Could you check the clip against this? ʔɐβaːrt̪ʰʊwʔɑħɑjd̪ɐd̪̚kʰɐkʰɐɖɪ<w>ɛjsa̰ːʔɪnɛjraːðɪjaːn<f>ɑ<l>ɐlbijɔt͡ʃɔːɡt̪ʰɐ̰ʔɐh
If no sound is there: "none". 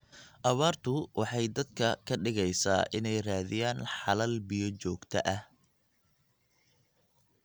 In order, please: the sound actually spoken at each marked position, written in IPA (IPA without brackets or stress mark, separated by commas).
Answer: ɣ, ħ, l